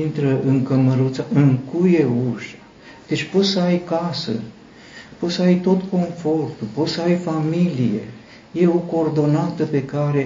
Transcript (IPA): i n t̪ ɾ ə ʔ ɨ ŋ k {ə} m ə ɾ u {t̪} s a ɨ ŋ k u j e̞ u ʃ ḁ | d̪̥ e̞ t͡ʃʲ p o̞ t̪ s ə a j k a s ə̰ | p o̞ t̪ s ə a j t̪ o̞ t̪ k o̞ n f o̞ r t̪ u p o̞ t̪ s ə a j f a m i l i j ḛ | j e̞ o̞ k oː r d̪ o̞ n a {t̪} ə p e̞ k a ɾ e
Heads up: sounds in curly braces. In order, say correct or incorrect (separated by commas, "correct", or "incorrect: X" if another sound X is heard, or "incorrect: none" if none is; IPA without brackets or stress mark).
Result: correct, correct, correct